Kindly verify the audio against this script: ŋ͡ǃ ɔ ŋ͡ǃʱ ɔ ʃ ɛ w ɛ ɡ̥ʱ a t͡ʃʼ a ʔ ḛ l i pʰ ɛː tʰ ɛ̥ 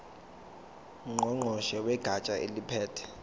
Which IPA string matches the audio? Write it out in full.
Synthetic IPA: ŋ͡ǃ ɔ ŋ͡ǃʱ ɔ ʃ ɛ w ɛ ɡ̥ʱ a t͡ʃʼ a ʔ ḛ l i pʰ ɛː tʰ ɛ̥

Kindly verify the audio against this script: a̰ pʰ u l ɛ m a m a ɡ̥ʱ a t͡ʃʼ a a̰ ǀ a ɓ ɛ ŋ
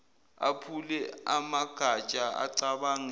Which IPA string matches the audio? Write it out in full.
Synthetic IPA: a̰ pʰ u l ɛ a m a ɡ̥ʱ a t͡ʃʼ a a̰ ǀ a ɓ a ŋ

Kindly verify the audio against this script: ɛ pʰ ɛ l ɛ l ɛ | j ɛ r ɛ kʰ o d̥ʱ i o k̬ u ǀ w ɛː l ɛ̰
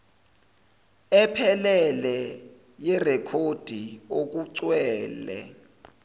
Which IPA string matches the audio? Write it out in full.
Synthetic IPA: ɛ pʰ ɛ l ɛ l ɛ | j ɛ r ɛ kʰ o d̥ʱ i o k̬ u ǀ w ɛː l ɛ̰

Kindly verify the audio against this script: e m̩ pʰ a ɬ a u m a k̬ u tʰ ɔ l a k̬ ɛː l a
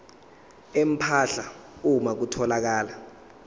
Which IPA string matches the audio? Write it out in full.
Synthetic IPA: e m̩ pʰ a ɬ a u m a k̬ u tʰ ɔ l a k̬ aː l a

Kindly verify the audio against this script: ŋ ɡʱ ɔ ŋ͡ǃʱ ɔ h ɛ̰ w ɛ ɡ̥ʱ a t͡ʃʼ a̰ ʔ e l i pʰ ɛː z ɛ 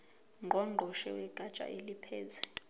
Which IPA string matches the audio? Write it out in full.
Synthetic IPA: ŋ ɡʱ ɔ ŋ͡ǃʱ ɔ ʃ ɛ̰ w ɛ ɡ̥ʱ a t͡ʃʼ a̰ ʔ e l i pʰ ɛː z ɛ

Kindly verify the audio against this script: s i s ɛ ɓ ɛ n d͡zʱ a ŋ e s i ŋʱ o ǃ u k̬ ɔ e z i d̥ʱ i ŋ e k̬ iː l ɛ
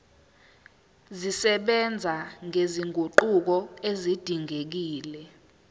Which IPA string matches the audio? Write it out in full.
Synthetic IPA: z i s ɛ ɓ ɛ n d͡zʱ a ŋ e z i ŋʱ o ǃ u k̬ ɔ e z i d̥ʱ i ŋ e k̬ iː l ɛ

